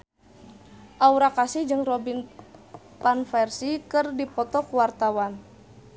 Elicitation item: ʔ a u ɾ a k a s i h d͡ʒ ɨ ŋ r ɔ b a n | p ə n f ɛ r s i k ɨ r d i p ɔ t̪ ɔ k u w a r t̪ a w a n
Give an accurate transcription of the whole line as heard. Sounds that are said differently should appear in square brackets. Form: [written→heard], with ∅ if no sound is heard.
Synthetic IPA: ʔ a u ɾ a k a s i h d͡ʒ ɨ ŋ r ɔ b [a→i] n | p [ə→a] n f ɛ r s i k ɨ r d i p ɔ t̪ ɔ k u w a r t̪ a w a n